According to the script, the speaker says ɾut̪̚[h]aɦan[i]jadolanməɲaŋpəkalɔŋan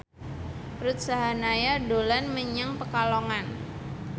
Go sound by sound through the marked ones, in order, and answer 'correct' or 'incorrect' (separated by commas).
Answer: incorrect, incorrect